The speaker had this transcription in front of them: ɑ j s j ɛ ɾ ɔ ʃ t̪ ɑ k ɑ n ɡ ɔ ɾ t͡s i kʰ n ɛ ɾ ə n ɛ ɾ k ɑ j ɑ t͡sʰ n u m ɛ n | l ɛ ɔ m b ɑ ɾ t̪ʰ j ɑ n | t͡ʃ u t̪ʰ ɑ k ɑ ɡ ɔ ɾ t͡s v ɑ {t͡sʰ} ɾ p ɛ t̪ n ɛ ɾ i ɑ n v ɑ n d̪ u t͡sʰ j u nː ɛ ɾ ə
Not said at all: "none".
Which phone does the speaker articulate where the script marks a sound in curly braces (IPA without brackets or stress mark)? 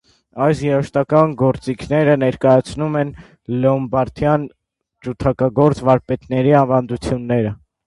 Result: none